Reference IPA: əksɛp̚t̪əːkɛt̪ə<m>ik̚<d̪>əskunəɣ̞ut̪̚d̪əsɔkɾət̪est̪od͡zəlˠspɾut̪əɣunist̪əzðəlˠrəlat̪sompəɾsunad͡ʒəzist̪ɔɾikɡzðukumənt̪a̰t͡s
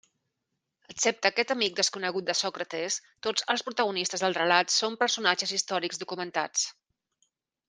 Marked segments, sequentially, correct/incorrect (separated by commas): correct, correct